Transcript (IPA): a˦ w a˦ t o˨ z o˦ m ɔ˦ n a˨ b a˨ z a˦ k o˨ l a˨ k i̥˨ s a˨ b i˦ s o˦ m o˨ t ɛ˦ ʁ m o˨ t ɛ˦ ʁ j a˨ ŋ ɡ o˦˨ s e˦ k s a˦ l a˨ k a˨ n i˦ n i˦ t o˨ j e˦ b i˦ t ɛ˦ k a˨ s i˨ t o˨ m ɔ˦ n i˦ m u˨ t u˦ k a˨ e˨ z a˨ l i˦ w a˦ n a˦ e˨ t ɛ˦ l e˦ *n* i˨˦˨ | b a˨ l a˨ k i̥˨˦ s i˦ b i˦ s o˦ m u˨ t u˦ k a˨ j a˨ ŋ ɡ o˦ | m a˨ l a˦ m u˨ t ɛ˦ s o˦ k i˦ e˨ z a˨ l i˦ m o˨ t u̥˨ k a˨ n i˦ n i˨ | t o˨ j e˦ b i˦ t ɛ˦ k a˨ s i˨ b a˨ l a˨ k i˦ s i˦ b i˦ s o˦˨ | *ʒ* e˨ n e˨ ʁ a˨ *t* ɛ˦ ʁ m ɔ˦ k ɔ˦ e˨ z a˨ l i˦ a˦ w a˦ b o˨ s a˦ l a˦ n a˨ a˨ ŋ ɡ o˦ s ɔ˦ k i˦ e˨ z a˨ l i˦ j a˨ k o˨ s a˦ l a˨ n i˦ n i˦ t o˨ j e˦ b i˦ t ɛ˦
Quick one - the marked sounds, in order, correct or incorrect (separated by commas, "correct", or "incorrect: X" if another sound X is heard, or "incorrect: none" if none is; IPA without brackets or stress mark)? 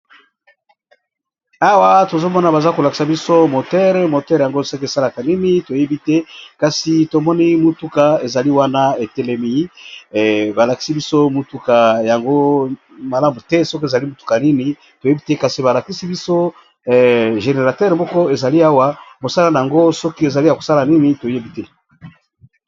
incorrect: m, correct, correct